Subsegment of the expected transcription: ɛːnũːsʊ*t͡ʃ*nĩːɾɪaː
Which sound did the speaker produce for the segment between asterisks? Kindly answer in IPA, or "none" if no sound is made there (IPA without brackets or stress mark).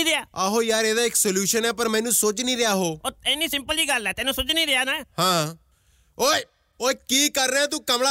t͡ʃ